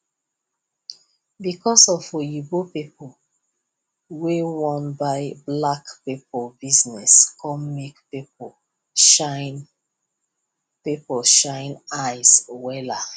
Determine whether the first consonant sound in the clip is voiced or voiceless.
voiced